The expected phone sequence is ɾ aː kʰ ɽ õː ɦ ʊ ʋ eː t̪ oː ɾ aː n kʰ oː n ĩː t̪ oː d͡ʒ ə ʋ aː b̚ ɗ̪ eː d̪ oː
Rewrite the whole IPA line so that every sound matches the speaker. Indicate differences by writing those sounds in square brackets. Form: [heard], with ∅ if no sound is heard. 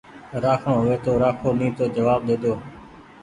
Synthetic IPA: ɾ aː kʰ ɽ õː ɦ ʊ ʋ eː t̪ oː ɾ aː [∅] kʰ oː n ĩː t̪ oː d͡ʒ ə ʋ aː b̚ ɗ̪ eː d̪ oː